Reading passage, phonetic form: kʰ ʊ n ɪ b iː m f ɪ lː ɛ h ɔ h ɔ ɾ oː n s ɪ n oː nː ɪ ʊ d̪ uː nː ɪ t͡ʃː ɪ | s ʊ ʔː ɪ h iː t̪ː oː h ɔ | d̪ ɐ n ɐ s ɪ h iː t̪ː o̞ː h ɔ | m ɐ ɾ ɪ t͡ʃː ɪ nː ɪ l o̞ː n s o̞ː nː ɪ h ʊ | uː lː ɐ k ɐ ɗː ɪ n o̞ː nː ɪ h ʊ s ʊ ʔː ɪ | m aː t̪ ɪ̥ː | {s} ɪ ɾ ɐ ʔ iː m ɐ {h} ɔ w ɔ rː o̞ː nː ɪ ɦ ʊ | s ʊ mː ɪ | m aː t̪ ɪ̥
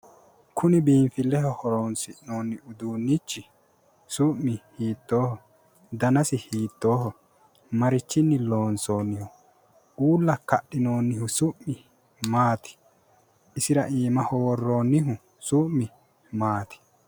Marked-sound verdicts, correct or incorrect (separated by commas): correct, correct